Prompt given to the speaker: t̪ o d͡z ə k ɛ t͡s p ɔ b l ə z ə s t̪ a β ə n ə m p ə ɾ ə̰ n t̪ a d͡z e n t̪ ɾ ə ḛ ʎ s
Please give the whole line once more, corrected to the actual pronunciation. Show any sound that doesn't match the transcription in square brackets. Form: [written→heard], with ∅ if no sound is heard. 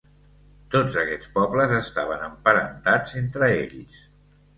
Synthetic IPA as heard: t̪ o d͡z ə k ɛ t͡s p ɔ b l ə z ə s t̪ a β ə n ə m p ə ɾ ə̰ n t̪ a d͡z e n t̪ ɾ ə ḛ ʎ s